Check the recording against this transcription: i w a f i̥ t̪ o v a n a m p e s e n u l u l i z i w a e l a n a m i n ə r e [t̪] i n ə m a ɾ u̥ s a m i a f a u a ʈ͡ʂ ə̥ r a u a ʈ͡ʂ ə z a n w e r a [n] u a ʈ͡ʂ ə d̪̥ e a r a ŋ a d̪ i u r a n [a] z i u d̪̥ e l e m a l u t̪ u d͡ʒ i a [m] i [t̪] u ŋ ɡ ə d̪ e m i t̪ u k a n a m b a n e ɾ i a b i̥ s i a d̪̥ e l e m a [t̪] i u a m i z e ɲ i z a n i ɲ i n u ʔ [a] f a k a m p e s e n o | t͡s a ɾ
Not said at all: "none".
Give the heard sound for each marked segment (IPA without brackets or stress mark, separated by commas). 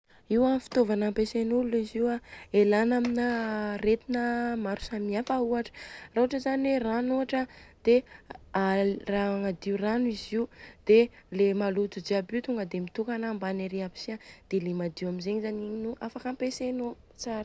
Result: t̪, n, i, b, t̪, d̪, a